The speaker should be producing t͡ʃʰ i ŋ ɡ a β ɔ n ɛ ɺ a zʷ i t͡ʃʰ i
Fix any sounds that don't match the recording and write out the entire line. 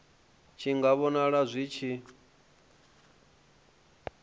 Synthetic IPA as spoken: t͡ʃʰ i ŋ ɡ a β ɔ n a ɺ a zʷ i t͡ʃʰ i